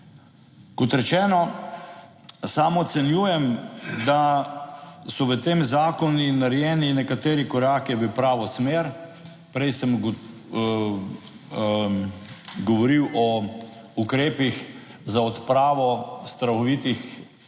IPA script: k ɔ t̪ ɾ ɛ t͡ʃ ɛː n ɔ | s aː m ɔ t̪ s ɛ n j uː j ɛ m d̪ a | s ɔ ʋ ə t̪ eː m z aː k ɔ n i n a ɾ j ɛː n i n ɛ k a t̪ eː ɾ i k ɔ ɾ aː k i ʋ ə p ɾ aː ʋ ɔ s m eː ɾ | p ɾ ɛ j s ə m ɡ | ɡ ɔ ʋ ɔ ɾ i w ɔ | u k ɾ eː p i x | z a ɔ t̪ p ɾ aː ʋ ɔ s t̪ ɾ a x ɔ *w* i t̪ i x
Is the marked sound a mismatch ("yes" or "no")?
yes